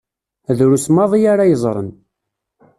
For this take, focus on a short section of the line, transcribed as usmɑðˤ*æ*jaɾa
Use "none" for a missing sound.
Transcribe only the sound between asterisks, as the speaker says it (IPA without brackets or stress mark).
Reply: i